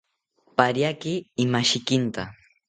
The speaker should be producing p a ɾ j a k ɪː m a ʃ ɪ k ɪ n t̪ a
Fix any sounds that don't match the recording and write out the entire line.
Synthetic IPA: p a ɾ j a k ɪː m a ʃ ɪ k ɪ n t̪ a